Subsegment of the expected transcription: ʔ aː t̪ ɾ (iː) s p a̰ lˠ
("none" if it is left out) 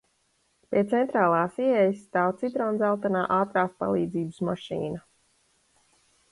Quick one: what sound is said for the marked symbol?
aː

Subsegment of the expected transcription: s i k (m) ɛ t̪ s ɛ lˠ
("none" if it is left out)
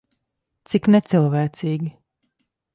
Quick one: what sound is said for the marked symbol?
n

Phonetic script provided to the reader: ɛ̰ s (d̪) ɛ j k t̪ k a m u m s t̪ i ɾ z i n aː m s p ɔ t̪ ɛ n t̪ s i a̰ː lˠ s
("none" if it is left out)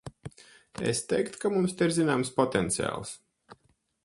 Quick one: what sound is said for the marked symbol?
t̪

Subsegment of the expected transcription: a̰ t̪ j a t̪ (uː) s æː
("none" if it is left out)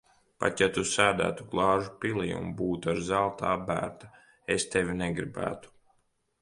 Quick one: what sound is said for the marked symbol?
u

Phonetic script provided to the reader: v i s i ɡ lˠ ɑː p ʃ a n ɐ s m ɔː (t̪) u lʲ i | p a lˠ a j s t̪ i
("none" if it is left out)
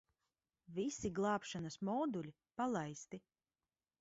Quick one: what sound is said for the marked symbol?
d̪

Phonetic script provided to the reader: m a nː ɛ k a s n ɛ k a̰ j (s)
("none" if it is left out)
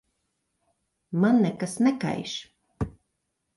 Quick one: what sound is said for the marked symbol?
ʃ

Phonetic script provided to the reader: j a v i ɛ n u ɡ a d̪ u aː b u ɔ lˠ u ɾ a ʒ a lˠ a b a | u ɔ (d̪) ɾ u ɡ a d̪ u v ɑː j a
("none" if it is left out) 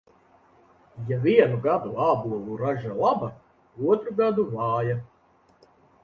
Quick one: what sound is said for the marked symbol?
t̪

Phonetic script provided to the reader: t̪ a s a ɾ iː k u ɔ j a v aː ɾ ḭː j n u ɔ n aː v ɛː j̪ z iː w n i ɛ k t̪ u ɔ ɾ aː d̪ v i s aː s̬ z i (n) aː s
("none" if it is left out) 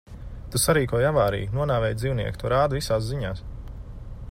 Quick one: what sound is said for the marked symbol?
ɲ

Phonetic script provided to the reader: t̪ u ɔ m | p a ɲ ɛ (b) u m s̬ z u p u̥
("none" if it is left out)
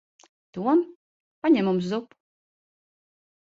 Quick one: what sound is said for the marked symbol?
m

